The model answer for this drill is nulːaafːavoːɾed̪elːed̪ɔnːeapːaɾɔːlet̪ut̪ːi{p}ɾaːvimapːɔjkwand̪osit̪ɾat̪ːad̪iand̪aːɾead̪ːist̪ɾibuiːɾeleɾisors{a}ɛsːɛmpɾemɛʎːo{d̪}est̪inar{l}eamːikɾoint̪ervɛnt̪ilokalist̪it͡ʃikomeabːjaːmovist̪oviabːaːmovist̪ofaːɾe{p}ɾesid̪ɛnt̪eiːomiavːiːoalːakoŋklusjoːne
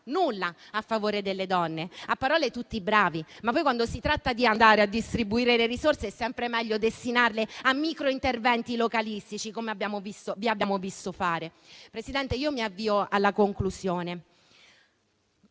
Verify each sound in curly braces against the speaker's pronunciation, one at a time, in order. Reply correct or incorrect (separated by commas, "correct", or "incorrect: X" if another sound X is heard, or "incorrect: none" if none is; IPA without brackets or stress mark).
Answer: incorrect: b, incorrect: e, correct, correct, correct